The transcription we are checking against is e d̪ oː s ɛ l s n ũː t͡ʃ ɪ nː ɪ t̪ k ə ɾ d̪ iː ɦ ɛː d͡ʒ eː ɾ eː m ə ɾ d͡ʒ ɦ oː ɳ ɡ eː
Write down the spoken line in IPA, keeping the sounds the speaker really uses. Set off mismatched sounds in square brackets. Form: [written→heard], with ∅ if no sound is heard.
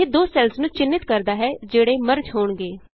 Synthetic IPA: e d̪ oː s ɛ l s n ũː t͡ʃ ɪ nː ɪ t̪ k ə ɾ d̪ [iː→aː] ɦ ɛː d͡ʒ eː [ɾ→ɽ] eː m ə ɾ d͡ʒ ɦ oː ɳ ɡ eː